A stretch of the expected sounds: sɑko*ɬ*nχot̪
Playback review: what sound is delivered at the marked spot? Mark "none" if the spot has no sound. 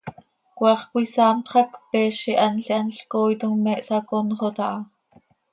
none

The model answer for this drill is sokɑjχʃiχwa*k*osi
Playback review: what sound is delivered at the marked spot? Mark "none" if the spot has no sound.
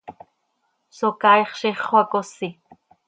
k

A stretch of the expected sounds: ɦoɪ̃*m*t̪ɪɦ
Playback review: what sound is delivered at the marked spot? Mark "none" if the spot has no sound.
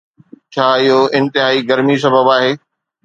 n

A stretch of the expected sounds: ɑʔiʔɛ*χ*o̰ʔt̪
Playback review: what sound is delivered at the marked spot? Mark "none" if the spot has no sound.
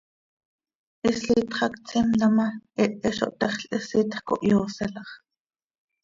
ʃ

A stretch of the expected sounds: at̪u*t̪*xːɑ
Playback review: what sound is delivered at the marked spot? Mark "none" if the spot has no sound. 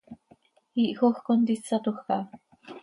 none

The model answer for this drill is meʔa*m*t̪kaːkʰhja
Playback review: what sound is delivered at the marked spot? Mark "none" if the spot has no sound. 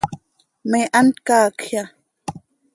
n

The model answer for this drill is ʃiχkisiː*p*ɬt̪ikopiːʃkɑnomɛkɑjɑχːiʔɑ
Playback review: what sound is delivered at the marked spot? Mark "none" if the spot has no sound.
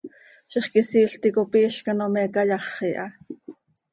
none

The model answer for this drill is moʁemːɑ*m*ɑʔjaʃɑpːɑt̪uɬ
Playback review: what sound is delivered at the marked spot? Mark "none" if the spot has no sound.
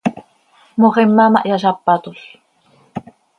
m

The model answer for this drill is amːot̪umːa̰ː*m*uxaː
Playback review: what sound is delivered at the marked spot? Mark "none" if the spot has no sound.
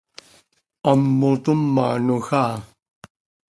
n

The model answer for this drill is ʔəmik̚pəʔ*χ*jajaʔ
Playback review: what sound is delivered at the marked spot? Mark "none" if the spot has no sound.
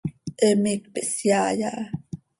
s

